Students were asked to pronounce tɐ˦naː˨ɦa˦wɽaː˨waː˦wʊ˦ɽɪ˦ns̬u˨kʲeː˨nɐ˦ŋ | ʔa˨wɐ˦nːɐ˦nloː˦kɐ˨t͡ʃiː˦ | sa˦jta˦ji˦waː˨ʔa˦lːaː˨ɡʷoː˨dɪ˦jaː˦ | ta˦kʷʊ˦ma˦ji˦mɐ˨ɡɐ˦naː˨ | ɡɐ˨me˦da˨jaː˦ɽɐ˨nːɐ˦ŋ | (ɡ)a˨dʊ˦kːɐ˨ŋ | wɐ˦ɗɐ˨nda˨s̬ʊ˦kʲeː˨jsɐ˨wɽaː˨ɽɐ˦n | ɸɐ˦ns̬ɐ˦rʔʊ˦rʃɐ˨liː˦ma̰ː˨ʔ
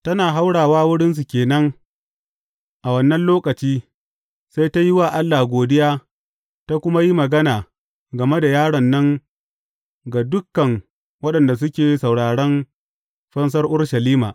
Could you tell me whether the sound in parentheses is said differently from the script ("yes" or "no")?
no